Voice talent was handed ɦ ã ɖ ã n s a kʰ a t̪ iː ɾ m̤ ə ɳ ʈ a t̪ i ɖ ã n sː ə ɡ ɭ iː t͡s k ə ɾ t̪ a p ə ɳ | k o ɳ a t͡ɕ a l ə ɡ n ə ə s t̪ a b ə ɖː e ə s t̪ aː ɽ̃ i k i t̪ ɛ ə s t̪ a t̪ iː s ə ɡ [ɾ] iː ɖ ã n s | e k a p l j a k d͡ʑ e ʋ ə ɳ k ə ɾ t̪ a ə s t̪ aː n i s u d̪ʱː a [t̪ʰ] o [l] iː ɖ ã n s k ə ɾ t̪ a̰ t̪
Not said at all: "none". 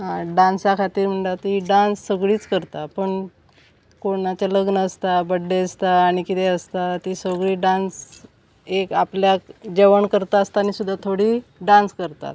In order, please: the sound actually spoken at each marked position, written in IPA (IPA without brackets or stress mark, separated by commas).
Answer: ɭ, t̪ʰ, ɽ